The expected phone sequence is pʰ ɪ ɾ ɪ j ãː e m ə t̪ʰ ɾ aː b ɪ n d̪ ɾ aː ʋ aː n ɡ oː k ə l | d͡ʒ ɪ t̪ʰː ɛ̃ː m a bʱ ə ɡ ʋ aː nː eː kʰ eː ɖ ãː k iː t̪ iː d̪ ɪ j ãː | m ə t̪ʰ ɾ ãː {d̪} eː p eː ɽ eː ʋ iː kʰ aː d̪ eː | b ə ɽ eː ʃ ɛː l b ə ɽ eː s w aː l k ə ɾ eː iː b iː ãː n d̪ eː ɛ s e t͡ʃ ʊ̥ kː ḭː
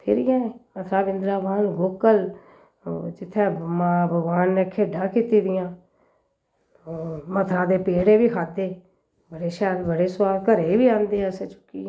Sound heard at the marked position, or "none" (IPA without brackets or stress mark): d̪